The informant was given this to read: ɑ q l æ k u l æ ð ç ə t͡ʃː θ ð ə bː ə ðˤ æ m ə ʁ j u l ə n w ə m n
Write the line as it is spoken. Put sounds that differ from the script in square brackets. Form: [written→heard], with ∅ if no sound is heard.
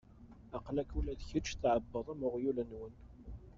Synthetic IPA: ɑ q l æ k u l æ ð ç ə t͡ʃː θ [ð→ʕ] ə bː ə ðˤ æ m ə ʁ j u l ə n w ə [m→∅] n